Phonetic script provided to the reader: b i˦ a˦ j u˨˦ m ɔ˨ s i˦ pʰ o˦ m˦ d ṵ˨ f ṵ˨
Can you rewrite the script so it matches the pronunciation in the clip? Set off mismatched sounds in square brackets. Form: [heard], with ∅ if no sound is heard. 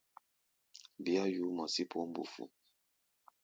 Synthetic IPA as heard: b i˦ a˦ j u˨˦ m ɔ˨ s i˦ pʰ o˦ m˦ [b] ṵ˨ f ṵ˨

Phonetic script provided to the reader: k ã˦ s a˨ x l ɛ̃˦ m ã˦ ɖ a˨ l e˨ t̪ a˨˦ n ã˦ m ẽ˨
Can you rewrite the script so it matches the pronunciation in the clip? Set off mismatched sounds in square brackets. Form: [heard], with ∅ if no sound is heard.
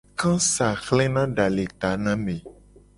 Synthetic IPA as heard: k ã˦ s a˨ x l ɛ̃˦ [n] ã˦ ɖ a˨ l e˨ t̪ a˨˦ n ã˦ m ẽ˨

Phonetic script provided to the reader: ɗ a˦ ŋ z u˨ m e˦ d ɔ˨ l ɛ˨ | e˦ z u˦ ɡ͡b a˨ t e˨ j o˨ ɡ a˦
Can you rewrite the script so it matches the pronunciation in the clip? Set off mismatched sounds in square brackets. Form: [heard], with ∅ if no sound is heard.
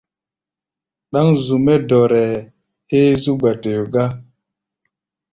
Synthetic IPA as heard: ɗ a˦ ŋ z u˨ m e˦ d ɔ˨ [ɾ] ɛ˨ | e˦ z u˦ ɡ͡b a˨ t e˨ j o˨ ɡ a˦

